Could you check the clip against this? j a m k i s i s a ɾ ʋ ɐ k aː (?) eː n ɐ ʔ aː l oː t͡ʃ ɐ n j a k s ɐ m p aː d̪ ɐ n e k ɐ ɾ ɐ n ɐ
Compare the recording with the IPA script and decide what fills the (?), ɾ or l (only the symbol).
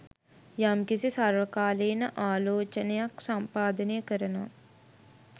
l